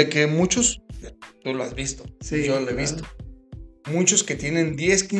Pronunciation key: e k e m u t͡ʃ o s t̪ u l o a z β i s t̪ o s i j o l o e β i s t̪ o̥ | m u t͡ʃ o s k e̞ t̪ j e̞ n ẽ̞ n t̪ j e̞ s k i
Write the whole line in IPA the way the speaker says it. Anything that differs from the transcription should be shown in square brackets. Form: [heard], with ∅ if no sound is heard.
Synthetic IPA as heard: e k e m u t͡ʃ o s t̪ u l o a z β i s t̪ o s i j o l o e β i s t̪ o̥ | m u t͡ʃ o s k e̞ t̪ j e̞ n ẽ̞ n [d̪] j e̞ s k i